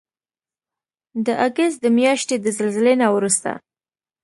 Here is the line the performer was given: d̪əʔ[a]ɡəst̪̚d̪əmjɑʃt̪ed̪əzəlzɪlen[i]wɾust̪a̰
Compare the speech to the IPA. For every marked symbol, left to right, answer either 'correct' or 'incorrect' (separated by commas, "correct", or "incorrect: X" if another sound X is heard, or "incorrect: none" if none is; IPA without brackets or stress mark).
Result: correct, incorrect: a